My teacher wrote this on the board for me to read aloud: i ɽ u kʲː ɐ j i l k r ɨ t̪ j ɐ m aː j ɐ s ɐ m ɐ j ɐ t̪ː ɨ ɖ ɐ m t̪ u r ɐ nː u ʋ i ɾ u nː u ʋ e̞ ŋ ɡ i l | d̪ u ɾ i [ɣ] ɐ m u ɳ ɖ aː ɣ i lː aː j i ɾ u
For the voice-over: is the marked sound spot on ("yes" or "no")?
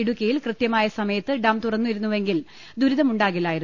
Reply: no